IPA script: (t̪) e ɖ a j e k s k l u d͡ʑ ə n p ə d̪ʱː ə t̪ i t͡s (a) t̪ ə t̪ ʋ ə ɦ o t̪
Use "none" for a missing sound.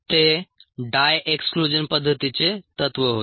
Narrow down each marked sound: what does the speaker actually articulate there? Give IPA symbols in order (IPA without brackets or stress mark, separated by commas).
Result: t̪, e